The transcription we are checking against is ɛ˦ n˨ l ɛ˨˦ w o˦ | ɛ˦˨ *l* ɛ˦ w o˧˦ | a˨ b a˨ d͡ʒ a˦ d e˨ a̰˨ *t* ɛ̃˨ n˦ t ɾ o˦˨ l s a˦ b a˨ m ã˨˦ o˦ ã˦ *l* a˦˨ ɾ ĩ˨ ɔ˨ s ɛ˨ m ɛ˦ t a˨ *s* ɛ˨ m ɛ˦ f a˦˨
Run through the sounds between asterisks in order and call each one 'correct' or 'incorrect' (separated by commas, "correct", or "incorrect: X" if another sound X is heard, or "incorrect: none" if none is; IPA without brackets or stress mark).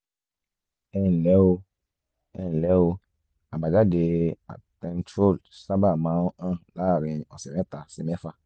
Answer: correct, correct, correct, correct